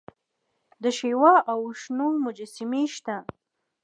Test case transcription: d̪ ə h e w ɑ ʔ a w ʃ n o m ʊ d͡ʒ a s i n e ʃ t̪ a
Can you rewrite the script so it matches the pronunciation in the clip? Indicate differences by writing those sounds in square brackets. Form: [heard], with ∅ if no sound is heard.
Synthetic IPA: d̪ ə [ʃ] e w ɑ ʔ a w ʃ n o m ʊ d͡ʒ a s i [m] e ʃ t̪ a